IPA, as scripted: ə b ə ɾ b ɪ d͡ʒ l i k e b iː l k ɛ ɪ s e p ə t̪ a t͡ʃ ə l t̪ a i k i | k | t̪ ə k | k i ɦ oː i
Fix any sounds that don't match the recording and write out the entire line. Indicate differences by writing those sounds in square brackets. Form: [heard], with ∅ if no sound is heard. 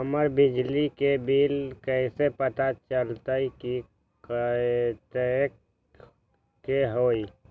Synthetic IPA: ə [m] ə ɾ b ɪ d͡ʒ l i k e b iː l k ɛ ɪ s e p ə t̪ a t͡ʃ ə l t̪ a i k i | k | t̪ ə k | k [e] ɦ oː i